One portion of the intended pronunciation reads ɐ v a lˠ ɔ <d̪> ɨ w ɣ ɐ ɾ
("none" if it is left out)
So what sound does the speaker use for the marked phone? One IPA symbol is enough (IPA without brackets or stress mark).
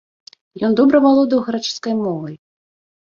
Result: d̪